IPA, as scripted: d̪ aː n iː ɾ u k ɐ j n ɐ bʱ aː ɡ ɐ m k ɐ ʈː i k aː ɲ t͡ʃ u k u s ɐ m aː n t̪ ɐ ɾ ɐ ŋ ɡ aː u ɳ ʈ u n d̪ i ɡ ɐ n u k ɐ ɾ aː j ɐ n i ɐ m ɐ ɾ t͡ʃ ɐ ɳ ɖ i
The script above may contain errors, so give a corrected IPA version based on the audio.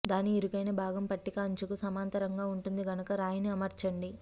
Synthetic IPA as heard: d̪ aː n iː ɾ u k ɐ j n ɐ bʱ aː ɡ ɐ m p ɐ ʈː i k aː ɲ t͡ʃ u k u s ɐ m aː n t̪ ɐ ɾ ɐ ŋ ɡ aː u ɳ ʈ u n d̪ i ɡ ɐ n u k ɐ ɾ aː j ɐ n i ɐ m ɐ ɾ t͡ʃ ɐ ɳ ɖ i